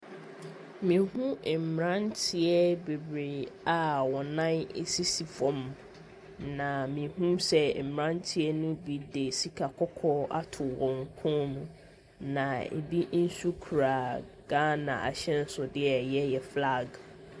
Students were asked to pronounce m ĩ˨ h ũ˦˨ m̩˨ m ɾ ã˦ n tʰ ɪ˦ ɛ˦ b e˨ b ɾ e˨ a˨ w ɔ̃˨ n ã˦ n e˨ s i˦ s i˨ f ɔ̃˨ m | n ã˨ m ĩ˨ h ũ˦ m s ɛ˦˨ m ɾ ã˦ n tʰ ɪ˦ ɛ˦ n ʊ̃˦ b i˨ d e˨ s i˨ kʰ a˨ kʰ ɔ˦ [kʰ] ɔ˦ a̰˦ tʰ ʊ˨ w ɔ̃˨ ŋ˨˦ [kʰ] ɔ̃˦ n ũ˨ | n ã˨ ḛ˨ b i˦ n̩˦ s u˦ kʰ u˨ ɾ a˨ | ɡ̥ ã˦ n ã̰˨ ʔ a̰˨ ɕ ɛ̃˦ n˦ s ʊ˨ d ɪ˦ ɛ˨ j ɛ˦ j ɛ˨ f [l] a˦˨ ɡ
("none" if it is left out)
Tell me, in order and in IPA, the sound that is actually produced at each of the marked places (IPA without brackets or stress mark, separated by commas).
kʰ, kʰ, l